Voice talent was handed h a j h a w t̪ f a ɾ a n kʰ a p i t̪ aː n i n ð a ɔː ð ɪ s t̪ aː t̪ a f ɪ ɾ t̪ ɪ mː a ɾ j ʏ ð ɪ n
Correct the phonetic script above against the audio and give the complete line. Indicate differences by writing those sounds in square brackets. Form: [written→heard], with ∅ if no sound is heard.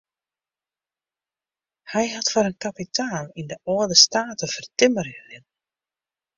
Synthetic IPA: h a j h a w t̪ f a ɾ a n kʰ a p i t̪ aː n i n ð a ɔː ð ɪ s t̪ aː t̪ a f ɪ ɾ t̪ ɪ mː a ɾ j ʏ ð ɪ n